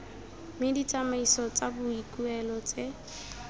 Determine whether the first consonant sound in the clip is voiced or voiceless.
voiced